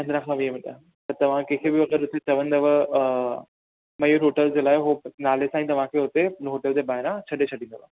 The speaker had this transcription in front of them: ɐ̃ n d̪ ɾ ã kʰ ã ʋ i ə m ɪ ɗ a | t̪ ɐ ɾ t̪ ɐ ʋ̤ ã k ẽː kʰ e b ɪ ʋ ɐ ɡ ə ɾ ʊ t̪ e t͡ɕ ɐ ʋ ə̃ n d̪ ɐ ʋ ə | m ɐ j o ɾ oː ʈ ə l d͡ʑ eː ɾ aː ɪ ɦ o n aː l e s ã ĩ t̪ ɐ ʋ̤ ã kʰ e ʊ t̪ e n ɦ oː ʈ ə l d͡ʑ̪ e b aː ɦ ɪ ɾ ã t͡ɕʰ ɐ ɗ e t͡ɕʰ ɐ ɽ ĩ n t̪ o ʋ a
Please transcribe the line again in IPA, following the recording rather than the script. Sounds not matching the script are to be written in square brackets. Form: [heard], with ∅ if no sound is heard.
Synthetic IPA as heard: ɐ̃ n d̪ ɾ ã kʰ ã ʋ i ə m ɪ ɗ a | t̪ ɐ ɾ t̪ ɐ ʋ̤ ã k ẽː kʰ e b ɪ ʋ ɐ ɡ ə ɾ ʊ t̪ e t͡ɕ ɐ ʋ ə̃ n d̪ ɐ ʋ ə | m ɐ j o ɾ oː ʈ ə l d͡ʑ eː [l] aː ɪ ɦ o n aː l e s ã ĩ t̪ ɐ ʋ̤ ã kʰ e ʊ t̪ e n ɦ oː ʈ ə l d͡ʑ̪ e b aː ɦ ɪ ɾ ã t͡ɕʰ ɐ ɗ e t͡ɕʰ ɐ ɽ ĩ n [d̪] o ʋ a

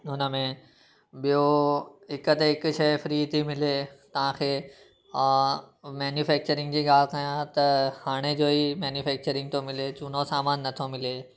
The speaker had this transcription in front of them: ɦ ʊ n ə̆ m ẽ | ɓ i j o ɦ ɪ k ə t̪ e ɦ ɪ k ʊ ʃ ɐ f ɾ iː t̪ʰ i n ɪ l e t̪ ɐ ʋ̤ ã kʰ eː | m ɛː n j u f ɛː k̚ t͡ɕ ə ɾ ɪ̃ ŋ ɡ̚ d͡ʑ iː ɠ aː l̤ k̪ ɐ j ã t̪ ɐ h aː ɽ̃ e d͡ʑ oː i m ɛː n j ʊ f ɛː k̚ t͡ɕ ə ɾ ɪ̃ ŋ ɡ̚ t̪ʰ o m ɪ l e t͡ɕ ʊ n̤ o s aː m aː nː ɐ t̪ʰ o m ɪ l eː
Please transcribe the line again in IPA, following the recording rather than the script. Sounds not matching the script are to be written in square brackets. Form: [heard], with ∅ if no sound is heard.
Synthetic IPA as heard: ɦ ʊ n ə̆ m ẽ | ɓ i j o ɦ ɪ k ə t̪ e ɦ ɪ k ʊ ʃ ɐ f ɾ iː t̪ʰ i [m] ɪ l e t̪ ɐ ʋ̤ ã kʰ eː | m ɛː n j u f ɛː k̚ t͡ɕ ə ɾ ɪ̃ ŋ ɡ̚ d͡ʑ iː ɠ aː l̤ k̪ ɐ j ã t̪ ɐ h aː ɽ̃ e d͡ʑ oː i m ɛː n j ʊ f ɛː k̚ t͡ɕ ə ɾ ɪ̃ ŋ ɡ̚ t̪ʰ o m ɪ l e t͡ɕ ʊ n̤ o s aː m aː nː ɐ t̪ʰ o m ɪ l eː

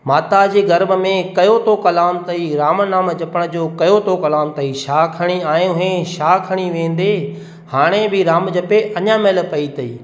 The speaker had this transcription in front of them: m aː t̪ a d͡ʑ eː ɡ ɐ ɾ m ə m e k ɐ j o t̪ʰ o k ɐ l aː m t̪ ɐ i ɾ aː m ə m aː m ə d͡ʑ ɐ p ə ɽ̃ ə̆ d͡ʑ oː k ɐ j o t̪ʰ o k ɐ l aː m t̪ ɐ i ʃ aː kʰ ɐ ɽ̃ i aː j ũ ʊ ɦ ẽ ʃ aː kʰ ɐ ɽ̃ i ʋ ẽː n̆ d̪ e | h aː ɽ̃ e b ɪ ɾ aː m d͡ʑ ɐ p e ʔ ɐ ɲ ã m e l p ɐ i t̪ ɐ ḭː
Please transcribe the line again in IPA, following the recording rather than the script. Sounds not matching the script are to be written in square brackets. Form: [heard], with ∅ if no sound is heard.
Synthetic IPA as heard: m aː t̪ a d͡ʑ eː ɡ ɐ ɾ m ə m [ẽ] k ɐ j o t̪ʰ o k ɐ l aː m t̪ ɐ i ɾ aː m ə [n] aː m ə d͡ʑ ɐ p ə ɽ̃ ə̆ d͡ʑ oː k ɐ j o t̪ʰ o k ɐ l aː m t̪ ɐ i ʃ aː kʰ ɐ ɽ̃ i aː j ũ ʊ ɦ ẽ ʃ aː kʰ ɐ ɽ̃ i ʋ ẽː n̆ d̪ e | h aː ɽ̃ e b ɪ ɾ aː m d͡ʑ ɐ p e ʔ ɐ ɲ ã m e l p ɐ i t̪ ɐ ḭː

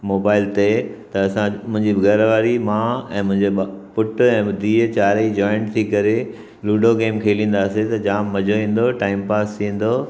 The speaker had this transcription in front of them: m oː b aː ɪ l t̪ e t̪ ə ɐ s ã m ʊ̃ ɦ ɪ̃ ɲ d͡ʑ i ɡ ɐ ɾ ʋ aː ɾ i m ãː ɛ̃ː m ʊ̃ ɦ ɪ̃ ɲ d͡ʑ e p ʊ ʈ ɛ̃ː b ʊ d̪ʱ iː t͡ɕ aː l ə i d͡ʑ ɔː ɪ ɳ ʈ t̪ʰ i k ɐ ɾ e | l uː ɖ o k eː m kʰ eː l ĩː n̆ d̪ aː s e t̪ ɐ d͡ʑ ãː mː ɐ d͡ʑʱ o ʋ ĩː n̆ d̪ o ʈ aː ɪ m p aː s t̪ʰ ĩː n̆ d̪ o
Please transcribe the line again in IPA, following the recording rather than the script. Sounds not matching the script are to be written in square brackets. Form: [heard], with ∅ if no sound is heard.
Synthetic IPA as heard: m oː b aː ɪ l t̪ e t̪ [ɐ] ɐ s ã m ʊ̃ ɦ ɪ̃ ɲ d͡ʑ i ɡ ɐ ɾ ʋ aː ɾ i m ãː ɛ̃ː m ʊ̃ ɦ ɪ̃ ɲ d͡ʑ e p ʊ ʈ ɛ̃ː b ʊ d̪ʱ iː t͡ɕ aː [ɾ] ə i d͡ʑ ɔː ɪ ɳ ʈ t̪ʰ i k ɐ ɾ e | l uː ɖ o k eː m kʰ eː l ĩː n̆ d̪ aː s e t̪ ɐ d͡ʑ [aː] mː ɐ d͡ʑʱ o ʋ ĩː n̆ d̪ o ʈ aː ɪ m p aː s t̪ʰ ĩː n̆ d̪ o

